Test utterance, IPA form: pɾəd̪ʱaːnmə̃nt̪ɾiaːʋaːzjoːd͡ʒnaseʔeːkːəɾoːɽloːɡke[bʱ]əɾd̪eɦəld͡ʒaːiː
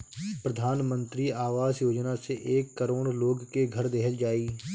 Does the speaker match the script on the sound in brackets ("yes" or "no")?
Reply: no